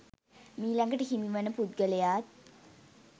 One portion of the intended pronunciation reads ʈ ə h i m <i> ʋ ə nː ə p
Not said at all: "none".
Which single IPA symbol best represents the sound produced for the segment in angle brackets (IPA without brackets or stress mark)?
i